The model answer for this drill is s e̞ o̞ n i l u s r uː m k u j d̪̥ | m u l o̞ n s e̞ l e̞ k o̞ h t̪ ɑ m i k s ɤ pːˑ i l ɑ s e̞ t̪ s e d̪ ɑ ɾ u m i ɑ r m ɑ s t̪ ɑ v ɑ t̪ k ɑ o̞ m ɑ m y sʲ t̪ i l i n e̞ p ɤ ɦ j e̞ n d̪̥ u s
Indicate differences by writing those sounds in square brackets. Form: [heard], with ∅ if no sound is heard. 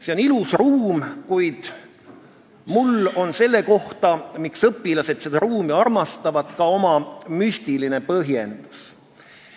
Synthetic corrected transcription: s e̞ o̞ n i l u s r uː m k u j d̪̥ | m u l o̞ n s e̞ [lː] e̞ k o̞ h t̪ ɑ m i k s ɤ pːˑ i l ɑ s e̞ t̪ s e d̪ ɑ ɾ [uː] m i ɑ r m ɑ s t̪ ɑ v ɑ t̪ k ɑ o̞ m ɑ m y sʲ t̪ i l i n e̞ p ɤ ɦ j e̞ n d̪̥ u s

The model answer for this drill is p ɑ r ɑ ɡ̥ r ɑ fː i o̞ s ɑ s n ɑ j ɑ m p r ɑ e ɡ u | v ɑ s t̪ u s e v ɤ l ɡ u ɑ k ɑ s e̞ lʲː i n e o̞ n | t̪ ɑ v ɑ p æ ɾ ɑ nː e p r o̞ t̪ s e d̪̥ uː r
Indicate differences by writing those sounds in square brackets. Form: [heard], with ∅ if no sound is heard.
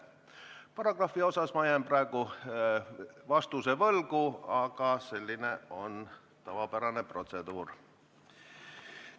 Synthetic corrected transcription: p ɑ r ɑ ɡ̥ r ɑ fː i o̞ s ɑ s [m] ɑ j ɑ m p r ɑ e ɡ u | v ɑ s t̪ u s e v ɤ l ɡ u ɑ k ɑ s e̞ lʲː i n e o̞ n | t̪ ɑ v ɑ p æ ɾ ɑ [n] e p r o̞ t̪ s e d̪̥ uː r

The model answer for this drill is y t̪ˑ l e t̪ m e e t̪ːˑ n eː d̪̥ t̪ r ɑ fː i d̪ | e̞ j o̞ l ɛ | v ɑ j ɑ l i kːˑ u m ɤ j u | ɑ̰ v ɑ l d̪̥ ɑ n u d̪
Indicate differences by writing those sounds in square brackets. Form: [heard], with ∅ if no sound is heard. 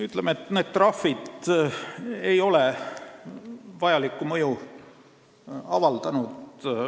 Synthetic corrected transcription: y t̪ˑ l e [∅] m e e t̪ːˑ n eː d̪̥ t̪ r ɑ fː i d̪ | e̞ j o̞ l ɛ | v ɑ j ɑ l i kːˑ u m ɤ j u | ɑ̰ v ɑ l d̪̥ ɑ n u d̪

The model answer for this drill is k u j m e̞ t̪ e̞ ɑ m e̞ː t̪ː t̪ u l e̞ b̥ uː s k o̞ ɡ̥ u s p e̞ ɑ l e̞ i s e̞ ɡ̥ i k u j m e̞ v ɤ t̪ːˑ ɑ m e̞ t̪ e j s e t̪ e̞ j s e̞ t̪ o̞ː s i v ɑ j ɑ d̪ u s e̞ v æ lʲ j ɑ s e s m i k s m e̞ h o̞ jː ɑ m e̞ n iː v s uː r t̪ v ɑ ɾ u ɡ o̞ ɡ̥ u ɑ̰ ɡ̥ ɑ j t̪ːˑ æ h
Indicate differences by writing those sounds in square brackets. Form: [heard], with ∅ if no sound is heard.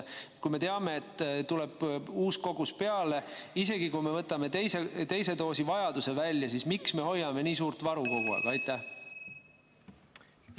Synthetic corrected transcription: k u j m e̞ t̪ e̞ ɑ m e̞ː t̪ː t̪ u l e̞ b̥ uː s k o̞ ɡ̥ u s p e̞ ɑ l e̞ i s e̞ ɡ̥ i k u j m e̞ v ɤ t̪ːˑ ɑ m e̞ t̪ e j s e t̪ e̞ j s e̞ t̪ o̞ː s i v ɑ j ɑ d̪ u s e̞ v æ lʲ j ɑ s [i] s m i k s m e̞ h o̞ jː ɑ m e̞ n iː [∅] s uː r t̪ v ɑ ɾ u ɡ o̞ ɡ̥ u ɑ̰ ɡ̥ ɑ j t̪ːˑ æ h

